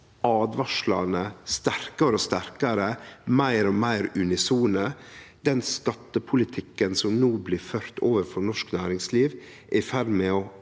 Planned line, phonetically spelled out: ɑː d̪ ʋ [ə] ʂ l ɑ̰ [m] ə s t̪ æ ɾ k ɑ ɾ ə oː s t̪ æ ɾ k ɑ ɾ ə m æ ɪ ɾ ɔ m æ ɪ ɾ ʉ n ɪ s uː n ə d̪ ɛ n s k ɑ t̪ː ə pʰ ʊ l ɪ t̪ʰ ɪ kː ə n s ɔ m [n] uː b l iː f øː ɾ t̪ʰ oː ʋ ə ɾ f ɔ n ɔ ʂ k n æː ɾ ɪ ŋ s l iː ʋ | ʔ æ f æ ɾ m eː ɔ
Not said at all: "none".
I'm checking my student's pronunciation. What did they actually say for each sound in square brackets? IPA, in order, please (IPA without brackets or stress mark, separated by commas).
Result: ɑ, n, n